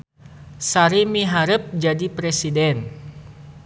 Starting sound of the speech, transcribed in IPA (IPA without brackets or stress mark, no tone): s